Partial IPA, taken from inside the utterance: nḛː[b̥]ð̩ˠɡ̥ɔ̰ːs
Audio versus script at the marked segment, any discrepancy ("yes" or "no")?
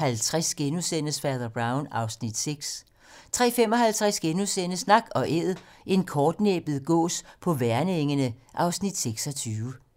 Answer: no